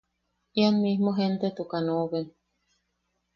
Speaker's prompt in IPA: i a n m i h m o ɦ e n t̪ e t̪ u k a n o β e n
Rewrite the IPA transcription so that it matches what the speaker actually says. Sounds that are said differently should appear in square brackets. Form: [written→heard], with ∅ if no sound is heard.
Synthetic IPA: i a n m i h m o ɦ e n t̪ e t̪ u k a n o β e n

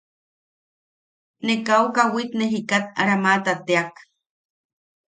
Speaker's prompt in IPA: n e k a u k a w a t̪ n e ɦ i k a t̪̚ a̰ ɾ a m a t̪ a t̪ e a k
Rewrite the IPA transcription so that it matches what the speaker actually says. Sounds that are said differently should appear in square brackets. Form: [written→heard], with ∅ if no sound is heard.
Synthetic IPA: n e k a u k a w [a→i] t̪ n e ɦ i k a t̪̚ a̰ ɾ a m a t̪ a t̪ e a k

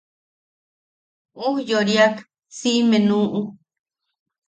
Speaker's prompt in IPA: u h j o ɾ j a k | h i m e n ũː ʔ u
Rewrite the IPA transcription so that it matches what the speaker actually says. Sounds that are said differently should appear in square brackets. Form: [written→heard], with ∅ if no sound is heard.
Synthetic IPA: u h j o ɾ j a k | [h→s] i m e n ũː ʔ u

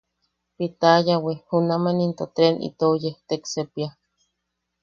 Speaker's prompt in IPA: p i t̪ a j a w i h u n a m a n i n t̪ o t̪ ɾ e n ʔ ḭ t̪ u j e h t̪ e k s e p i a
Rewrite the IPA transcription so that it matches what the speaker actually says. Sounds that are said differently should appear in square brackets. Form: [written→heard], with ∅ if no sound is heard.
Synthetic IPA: p i t̪ a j a w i h u n a m a n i n t̪ o t̪ ɾ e n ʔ ḭ t̪ [u→o] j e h t̪ e k s e p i a

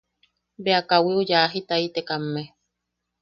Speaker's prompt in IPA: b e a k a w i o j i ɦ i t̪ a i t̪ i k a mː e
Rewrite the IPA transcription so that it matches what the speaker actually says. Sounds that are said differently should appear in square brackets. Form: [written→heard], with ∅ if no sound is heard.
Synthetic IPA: b e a k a w i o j [i→a] ɦ i t̪ a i t̪ [i→e] k a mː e

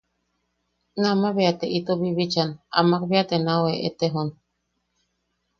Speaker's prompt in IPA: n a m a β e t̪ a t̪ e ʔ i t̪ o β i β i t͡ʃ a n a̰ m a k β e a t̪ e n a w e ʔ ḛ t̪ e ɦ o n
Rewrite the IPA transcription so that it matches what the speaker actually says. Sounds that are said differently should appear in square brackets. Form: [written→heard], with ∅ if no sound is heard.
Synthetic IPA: n a m a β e [t̪→∅] a t̪ e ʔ i t̪ o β i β i t͡ʃ a n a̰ m a k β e a t̪ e n a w e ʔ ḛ t̪ e ɦ o n

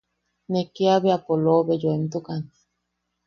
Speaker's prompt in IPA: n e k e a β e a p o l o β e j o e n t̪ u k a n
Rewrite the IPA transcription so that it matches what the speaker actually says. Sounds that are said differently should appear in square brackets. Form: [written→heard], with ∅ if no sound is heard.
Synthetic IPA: n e k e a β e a p o l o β e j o e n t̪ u k a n

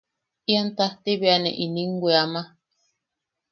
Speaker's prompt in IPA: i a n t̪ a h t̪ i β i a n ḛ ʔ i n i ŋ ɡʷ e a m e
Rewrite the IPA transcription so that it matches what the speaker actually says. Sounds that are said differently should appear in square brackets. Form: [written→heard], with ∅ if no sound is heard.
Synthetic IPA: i a n t̪ a h t̪ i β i a n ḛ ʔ i n i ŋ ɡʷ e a m [e→a]

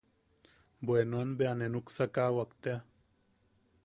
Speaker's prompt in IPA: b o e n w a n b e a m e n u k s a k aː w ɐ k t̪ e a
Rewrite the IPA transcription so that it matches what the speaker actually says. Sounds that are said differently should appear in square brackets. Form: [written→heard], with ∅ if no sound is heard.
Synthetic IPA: b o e n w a n b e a [m→n] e n u k s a k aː w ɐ k t̪ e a

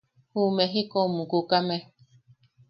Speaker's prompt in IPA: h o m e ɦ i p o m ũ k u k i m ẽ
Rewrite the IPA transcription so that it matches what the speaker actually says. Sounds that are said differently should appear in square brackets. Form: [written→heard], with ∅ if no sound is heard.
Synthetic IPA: h [o→u] m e ɦ i [p→k] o m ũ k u k [i→a] m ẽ

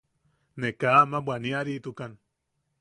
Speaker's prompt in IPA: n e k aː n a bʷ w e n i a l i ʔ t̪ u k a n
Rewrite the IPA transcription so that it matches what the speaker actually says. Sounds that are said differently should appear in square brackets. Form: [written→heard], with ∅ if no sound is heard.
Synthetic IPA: n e k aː [n→m] a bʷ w [e→a] n i a [l→ɾ] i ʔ t̪ u k a n

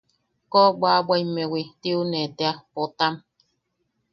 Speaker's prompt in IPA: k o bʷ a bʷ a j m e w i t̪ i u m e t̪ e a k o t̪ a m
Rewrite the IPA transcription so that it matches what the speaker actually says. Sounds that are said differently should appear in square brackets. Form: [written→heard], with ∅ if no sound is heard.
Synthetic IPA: k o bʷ a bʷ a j m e w i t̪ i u [m→n] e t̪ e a [k→p] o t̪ a m

